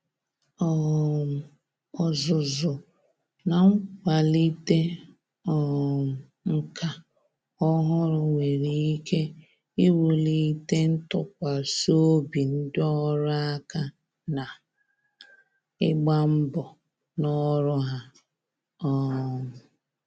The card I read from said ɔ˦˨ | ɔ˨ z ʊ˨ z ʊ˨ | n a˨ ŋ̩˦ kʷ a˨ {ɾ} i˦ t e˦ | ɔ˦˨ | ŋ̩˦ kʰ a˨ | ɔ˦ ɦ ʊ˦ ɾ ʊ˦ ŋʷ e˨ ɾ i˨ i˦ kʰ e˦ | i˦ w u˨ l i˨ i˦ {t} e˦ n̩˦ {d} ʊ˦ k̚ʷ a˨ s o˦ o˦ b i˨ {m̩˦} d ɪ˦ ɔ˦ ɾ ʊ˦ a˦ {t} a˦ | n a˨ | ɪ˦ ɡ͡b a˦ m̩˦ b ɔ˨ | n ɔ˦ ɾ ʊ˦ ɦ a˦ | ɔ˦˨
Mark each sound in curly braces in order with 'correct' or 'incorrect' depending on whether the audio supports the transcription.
incorrect: l, correct, incorrect: t, incorrect: n̩˦, incorrect: k

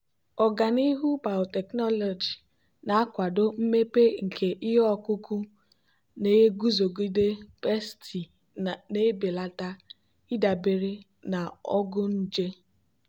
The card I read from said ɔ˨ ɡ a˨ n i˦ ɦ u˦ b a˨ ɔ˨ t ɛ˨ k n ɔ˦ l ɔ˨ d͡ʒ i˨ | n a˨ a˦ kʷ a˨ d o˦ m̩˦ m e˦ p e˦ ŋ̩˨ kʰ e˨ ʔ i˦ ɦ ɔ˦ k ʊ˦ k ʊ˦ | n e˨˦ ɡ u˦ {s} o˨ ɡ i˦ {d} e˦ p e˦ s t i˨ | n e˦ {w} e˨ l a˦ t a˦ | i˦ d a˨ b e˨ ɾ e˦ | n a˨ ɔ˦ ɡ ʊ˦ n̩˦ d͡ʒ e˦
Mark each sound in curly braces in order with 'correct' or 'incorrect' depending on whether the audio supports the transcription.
incorrect: z, correct, incorrect: b

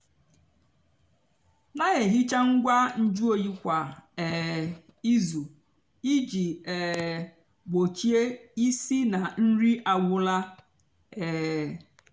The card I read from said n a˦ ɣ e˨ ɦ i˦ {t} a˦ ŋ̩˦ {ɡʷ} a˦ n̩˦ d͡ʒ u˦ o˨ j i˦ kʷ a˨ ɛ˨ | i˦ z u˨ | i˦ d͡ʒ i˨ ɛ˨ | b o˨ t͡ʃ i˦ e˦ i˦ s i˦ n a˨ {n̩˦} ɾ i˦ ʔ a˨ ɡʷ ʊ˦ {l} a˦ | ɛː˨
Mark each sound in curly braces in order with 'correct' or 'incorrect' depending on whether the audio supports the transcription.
incorrect: t͡ʃ, correct, correct, correct

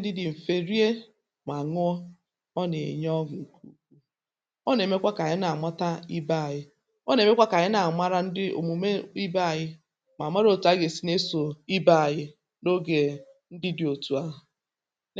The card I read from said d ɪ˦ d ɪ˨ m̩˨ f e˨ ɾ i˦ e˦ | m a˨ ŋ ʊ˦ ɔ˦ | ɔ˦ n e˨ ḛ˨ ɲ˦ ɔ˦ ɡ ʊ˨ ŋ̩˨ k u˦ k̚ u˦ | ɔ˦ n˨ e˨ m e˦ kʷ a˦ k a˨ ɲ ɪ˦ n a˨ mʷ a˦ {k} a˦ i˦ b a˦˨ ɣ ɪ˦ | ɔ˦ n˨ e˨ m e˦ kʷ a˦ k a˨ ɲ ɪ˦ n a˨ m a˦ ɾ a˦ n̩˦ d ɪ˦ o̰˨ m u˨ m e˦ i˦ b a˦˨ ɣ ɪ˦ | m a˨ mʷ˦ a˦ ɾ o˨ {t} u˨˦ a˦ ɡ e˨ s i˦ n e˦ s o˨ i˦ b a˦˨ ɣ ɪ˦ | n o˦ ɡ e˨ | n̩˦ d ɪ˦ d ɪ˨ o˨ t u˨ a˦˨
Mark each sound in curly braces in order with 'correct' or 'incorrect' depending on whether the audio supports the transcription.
incorrect: t, correct

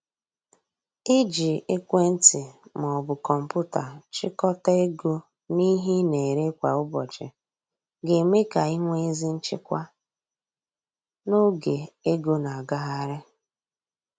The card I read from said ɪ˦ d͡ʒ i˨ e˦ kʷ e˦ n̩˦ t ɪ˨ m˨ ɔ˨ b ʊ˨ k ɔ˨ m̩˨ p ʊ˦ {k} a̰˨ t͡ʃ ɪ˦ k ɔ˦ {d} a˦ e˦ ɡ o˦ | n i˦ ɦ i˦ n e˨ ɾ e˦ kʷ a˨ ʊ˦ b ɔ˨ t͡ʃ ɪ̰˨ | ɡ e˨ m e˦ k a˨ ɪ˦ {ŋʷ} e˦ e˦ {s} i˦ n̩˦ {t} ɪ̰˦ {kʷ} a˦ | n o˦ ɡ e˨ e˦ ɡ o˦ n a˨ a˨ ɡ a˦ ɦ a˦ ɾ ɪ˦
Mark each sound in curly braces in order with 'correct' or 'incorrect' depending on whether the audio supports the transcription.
incorrect: t, incorrect: t, correct, incorrect: z, incorrect: t͡ʃ, correct

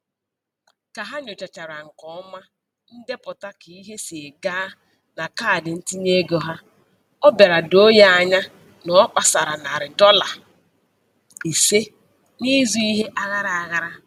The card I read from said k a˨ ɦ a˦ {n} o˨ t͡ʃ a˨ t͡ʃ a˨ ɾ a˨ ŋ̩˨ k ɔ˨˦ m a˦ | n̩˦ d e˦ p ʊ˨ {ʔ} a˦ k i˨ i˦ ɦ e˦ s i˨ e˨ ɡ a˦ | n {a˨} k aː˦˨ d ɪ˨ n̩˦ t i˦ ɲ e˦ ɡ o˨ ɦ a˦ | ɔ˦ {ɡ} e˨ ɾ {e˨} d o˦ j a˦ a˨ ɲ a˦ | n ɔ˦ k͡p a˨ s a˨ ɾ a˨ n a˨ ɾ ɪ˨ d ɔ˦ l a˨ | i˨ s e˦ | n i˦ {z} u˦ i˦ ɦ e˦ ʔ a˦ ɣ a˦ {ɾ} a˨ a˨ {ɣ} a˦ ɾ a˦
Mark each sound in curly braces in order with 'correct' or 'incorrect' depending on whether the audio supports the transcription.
incorrect: ɲ, incorrect: t, correct, incorrect: b, incorrect: a˨, correct, correct, correct

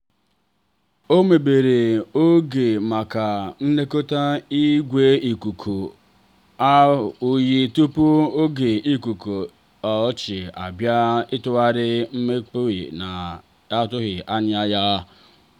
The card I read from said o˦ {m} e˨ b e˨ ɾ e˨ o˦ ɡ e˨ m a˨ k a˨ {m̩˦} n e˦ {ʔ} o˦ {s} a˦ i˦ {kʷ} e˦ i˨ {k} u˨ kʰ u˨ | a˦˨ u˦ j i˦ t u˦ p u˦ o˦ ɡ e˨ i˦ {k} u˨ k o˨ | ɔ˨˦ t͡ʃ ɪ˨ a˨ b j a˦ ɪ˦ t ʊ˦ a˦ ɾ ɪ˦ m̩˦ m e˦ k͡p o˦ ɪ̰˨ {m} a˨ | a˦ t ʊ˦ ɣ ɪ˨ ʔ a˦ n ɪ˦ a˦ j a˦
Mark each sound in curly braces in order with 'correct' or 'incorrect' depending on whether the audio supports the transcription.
correct, incorrect: n̩˦, incorrect: k, incorrect: t, incorrect: ɡʷ, correct, correct, incorrect: n

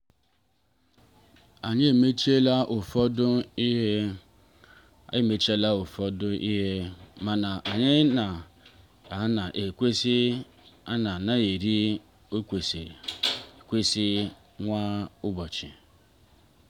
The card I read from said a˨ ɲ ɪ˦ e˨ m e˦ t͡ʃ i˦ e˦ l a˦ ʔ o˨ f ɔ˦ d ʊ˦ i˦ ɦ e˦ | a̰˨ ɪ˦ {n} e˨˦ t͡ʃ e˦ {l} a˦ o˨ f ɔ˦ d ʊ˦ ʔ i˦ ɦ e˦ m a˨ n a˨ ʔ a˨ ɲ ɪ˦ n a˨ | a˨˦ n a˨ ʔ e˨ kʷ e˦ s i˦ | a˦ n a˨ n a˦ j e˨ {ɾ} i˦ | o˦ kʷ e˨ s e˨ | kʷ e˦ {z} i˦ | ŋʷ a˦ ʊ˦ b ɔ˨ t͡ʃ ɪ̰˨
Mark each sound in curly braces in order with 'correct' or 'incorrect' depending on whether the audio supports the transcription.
incorrect: m, correct, correct, incorrect: s

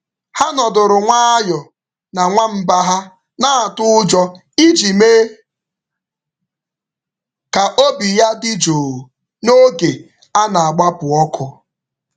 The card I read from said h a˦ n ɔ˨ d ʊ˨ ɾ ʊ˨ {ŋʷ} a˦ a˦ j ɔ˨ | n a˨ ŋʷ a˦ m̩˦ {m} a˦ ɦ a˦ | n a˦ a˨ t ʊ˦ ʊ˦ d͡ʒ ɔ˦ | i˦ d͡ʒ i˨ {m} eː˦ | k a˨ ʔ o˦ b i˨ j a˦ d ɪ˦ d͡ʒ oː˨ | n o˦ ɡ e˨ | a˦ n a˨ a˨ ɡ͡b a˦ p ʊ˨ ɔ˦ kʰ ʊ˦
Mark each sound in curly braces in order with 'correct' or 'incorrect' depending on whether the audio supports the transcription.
correct, incorrect: b, correct

